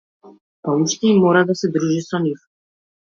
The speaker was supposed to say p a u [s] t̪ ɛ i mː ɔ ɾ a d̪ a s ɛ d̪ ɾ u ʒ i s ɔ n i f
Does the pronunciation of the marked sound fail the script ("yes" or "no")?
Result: yes